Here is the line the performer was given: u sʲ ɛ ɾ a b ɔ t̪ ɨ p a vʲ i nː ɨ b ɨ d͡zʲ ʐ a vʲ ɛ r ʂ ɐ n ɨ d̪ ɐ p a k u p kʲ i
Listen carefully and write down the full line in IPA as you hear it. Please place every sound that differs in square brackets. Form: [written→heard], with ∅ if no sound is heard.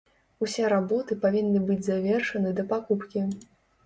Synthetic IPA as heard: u sʲ ɛ ɾ a b ɔ t̪ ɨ p a vʲ i nː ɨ b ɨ d͡zʲ [ʐ→z] a vʲ ɛ r ʂ ɐ n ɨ d̪ ɐ p a k u p kʲ i